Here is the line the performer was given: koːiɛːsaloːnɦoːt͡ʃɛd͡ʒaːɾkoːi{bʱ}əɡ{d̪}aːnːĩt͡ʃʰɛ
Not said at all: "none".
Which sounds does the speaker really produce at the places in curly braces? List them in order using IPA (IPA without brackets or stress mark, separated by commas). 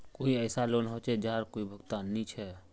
bʱ, t̪